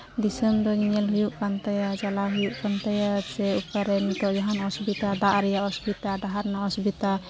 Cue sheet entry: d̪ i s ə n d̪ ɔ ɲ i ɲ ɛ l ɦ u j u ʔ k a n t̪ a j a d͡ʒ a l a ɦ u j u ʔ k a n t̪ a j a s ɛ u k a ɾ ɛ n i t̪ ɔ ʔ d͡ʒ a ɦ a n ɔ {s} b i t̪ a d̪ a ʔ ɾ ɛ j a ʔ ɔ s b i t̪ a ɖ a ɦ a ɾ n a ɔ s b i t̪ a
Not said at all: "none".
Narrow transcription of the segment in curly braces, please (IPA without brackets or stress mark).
s